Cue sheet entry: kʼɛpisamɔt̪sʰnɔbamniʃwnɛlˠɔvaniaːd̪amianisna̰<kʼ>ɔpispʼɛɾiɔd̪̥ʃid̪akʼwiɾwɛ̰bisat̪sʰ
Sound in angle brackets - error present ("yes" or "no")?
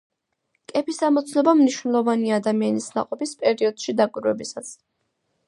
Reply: yes